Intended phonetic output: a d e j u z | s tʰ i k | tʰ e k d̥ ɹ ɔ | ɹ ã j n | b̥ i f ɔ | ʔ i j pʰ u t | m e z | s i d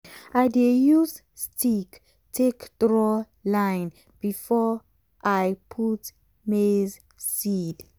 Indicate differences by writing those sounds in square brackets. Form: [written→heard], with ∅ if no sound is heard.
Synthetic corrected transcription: a d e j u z | s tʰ i k | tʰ e k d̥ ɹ ɔ | [ɹ→l] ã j n | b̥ i f ɔ | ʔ [i→a] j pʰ u t | m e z | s i d